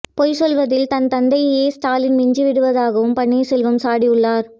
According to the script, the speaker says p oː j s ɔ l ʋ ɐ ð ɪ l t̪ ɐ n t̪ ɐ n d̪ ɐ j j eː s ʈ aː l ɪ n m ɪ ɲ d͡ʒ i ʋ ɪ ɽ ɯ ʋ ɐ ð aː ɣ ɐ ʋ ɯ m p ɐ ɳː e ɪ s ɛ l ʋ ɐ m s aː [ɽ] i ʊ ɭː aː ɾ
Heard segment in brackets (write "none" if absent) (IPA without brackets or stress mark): ɽ